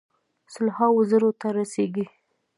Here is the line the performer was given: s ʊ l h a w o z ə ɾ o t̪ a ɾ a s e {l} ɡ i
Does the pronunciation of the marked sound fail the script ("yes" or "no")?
yes